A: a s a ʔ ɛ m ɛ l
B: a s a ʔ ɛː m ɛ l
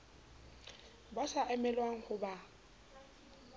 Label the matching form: A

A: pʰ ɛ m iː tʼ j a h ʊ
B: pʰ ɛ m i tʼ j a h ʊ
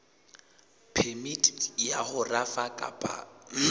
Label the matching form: B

